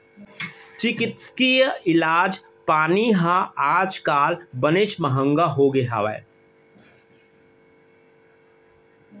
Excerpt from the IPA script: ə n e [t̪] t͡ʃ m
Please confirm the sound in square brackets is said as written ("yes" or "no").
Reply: no